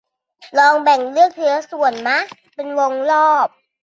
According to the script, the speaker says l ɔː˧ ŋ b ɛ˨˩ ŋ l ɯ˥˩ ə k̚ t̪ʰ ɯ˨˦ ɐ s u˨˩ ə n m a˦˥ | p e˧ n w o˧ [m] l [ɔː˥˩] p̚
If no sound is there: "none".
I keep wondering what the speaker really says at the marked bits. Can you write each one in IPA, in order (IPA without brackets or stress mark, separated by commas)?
ŋ, ɔː˥˩